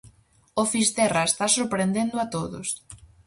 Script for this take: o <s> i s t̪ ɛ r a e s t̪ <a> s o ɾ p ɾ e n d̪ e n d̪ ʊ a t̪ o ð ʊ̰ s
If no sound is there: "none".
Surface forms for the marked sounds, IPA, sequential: f, a

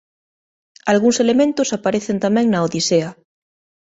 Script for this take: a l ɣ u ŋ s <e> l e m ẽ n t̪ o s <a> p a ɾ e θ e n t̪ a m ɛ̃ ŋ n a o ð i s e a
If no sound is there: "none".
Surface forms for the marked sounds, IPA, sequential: e, a

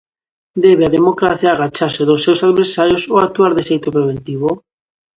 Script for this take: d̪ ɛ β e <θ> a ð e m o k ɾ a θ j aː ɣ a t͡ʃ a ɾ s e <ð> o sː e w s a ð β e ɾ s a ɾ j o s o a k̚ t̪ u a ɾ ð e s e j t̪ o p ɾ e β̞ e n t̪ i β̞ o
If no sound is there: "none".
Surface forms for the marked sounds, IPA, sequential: none, ð

